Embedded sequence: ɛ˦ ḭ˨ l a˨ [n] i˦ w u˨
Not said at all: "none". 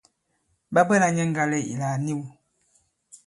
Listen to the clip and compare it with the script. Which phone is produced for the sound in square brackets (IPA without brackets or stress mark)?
n